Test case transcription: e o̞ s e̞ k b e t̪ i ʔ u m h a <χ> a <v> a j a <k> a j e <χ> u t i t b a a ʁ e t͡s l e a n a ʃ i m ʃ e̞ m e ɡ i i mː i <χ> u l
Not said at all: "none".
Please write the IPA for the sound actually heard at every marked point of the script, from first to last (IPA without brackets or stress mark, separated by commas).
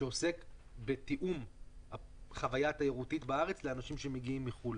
χ, v, t, ʁ, χ